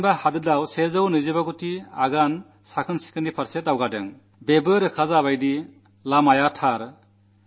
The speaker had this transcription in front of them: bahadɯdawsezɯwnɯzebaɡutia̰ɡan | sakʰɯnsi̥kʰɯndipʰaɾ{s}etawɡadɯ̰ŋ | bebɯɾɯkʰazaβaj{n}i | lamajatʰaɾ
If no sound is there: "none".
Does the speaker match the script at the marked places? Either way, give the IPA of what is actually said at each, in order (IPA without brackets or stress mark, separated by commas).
s, d